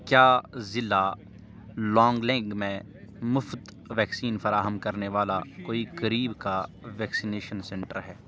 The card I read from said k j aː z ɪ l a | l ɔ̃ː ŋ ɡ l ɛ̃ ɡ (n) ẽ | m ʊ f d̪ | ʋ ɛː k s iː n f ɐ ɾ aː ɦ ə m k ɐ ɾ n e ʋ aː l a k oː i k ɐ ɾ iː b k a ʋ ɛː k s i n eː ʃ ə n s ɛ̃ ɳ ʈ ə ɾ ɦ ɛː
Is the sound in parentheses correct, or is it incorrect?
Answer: incorrect